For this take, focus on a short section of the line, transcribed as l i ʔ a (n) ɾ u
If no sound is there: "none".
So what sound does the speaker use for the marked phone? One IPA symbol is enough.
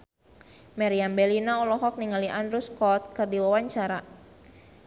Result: n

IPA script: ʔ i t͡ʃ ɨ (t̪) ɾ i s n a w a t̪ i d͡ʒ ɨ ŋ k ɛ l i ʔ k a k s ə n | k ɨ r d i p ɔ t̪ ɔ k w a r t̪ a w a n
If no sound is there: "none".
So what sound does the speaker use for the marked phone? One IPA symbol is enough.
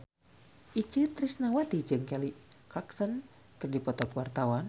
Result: t̪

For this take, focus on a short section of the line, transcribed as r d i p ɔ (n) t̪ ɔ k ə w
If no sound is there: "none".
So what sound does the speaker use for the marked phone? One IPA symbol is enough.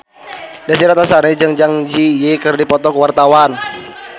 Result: none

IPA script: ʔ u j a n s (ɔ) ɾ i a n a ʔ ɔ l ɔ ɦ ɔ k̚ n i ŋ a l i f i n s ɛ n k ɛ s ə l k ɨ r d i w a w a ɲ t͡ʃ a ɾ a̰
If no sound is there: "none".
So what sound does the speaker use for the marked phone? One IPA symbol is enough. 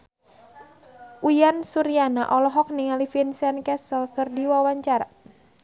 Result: u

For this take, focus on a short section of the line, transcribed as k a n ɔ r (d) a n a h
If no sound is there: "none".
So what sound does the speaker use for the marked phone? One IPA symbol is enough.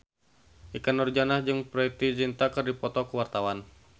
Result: d͡ʒ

